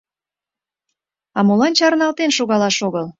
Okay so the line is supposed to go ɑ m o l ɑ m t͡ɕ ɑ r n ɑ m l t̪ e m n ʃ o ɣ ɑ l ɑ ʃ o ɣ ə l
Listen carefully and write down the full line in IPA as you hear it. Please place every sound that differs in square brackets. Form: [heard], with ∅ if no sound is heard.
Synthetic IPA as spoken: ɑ m o l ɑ [n] t͡ɕ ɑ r n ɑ [∅] l t̪ e [∅] n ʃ o ɣ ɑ l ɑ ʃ o ɣ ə l